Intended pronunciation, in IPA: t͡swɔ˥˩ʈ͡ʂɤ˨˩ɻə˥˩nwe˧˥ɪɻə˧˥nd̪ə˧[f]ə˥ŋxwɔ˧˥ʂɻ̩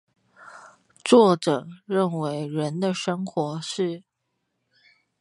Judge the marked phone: incorrect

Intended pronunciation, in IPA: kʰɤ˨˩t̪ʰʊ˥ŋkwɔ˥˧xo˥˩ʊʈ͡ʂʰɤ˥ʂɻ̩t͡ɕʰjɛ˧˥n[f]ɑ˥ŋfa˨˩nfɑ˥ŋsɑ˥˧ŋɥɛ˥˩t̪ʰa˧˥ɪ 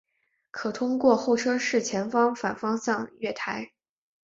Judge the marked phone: correct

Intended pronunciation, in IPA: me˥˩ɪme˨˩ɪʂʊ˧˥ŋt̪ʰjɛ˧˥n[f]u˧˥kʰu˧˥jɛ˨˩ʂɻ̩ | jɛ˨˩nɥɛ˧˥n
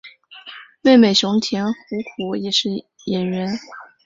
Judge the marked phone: incorrect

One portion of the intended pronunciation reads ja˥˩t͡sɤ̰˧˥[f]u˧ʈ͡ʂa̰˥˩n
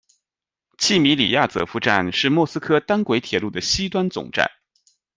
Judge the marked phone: correct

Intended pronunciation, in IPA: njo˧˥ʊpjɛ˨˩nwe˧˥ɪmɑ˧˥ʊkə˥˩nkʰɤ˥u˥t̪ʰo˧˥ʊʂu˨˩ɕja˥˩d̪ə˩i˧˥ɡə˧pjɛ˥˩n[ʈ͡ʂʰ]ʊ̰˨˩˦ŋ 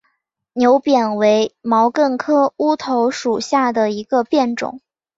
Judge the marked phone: incorrect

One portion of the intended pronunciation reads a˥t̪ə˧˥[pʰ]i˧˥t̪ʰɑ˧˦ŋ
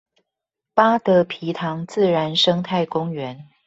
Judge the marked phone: correct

